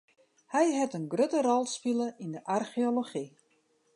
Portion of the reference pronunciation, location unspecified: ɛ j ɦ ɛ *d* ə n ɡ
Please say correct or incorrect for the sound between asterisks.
incorrect